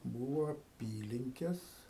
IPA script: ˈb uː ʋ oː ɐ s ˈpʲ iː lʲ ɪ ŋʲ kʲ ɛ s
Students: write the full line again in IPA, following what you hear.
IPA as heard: ˈb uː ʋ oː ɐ ˈpʲ iː lʲ ɪ ŋʲ kʲ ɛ s